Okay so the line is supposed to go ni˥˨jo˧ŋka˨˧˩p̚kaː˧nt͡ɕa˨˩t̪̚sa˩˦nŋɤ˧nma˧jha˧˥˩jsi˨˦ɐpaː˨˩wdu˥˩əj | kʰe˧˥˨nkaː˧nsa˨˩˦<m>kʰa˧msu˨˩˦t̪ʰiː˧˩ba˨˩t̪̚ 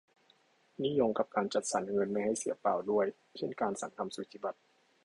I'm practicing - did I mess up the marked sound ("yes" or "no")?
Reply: yes